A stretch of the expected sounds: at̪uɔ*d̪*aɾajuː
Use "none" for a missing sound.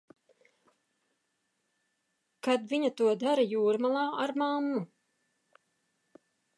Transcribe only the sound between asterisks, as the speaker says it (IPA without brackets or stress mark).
d̪